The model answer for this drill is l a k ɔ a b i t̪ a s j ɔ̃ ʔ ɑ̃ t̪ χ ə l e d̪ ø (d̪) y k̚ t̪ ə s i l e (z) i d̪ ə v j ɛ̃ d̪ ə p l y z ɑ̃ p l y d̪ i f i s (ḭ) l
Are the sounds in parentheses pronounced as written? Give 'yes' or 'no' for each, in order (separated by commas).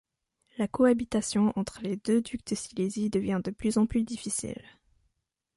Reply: yes, yes, yes